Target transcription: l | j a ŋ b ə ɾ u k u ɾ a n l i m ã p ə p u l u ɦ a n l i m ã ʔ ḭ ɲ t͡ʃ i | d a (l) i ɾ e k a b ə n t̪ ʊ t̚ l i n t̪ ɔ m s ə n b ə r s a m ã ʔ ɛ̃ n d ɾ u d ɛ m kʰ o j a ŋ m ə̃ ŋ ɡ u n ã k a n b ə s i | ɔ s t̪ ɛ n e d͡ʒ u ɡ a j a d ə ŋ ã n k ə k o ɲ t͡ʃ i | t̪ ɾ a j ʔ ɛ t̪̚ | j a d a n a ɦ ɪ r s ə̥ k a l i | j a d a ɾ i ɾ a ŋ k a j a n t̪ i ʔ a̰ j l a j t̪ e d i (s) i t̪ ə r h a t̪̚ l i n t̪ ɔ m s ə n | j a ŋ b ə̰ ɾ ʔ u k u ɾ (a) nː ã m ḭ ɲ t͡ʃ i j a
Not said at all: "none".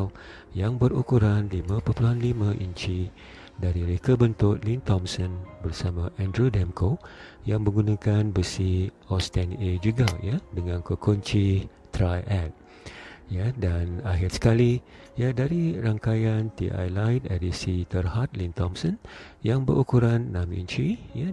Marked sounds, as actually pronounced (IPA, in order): ɾ, s, a

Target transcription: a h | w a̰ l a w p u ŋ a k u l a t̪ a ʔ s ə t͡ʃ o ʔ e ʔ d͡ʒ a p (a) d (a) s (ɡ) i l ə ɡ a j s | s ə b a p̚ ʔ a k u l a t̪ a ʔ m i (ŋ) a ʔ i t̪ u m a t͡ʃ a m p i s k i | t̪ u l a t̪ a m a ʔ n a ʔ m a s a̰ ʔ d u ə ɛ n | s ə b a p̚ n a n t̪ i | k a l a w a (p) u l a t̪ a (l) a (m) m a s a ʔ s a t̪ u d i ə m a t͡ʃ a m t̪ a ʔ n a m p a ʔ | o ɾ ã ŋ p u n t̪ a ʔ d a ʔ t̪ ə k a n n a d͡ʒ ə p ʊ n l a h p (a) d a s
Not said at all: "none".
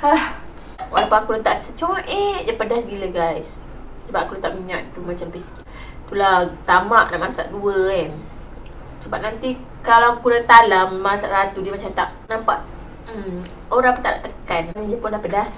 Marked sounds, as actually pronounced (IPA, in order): ə, a, ɡ, ɲ, k, l, m, ə

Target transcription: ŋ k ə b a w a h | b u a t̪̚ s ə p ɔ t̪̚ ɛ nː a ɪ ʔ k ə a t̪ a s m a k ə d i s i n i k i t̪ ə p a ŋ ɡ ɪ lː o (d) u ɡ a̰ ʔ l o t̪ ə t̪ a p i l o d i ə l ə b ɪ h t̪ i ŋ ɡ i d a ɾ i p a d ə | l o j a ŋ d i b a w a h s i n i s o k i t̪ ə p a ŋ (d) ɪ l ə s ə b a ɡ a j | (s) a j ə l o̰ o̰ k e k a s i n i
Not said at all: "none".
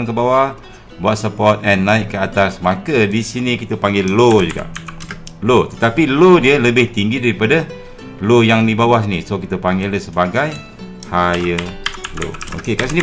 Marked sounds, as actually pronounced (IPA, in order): d͡ʒ, ɡ, h

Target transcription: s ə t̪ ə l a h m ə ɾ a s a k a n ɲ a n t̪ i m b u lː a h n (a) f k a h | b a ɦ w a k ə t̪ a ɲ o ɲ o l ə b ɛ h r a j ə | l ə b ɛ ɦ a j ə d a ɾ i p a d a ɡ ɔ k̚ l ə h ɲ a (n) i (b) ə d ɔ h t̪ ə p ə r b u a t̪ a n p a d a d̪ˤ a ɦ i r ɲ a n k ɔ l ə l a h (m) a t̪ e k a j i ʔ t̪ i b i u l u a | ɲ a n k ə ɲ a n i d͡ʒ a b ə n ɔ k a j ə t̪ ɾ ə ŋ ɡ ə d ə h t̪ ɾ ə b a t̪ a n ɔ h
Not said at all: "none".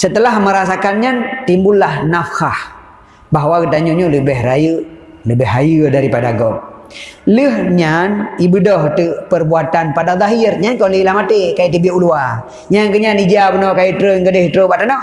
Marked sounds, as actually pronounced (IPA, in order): a, n, b, m

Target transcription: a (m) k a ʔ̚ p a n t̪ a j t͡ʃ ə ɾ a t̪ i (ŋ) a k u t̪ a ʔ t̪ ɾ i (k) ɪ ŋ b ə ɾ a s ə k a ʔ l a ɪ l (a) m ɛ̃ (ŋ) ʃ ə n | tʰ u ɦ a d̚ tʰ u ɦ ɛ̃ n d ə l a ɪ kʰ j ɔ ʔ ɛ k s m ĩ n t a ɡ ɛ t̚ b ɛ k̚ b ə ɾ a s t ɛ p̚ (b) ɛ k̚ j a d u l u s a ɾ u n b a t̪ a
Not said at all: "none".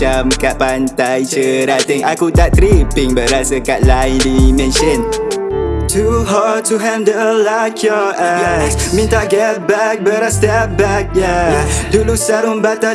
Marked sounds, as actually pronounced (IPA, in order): m, ŋ, p, i, n, b

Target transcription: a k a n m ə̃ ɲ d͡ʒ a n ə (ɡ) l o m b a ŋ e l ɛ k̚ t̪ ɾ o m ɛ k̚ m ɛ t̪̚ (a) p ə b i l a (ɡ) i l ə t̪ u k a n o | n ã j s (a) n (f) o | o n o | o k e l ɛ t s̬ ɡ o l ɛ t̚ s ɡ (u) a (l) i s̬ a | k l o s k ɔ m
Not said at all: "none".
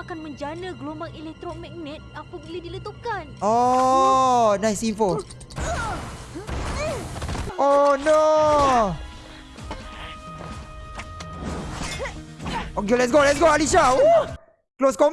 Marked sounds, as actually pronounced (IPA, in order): ɡ, a, d, i, f, o, l

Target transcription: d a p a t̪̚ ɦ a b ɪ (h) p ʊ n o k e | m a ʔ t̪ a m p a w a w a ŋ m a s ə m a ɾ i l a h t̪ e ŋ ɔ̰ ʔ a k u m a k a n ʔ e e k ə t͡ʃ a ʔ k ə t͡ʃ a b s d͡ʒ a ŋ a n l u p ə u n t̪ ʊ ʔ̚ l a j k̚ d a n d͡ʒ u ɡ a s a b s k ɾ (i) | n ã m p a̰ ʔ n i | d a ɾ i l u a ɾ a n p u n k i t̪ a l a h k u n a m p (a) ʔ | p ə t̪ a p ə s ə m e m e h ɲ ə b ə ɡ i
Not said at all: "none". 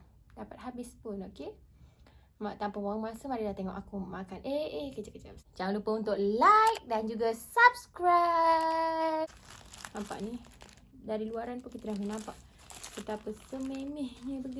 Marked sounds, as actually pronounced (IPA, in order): s, a, a

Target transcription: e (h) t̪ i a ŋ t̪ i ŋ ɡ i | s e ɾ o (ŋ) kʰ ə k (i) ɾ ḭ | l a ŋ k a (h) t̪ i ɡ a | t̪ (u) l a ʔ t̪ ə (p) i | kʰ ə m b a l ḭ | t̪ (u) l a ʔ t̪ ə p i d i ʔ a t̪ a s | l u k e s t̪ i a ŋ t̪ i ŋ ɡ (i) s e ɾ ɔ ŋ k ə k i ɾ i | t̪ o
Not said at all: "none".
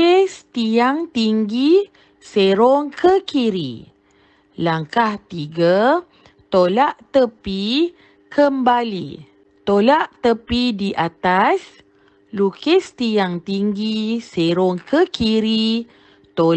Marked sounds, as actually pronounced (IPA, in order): s, ŋ, i, h, o, p, o, i

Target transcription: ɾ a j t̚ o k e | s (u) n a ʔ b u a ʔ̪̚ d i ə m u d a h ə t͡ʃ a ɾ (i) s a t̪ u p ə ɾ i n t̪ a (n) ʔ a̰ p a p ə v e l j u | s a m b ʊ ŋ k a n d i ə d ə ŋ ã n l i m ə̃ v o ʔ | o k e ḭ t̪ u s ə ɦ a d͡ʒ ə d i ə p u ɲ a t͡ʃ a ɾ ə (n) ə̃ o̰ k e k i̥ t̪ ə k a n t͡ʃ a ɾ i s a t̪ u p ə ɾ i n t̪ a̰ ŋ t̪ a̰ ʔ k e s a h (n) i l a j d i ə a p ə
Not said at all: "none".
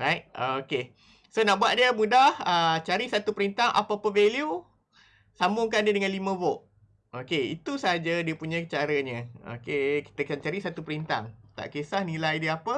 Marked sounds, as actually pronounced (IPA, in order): o, i, ŋ, ɲ, n

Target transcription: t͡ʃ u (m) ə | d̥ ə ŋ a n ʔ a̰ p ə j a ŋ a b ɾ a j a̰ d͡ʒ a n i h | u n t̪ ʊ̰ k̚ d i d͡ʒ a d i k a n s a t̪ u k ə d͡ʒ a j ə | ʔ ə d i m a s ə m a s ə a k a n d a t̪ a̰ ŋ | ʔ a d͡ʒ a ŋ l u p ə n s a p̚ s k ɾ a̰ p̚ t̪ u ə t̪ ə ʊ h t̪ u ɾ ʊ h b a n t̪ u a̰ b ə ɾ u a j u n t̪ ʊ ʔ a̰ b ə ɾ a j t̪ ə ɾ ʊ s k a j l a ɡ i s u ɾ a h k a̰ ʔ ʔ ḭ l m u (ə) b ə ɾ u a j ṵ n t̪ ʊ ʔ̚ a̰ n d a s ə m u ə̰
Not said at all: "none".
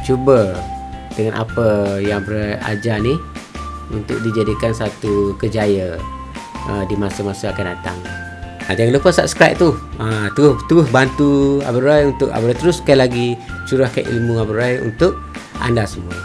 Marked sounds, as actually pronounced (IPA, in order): b, a

